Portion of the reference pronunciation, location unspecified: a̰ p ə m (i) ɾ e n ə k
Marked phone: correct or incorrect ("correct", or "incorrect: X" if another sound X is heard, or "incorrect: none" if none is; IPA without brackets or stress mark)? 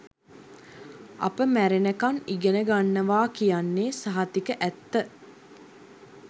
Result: incorrect: æ